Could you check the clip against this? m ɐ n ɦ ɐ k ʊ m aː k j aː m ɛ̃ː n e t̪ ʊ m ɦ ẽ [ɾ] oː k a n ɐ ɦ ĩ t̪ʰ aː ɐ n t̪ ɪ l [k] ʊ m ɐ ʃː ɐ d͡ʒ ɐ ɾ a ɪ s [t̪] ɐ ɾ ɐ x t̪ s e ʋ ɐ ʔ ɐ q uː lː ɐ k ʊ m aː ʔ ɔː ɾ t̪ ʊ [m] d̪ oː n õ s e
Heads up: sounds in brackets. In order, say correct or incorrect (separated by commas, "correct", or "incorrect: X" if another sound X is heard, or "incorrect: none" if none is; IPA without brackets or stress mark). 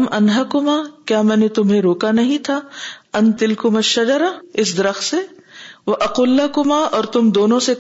correct, correct, incorrect: d̪, correct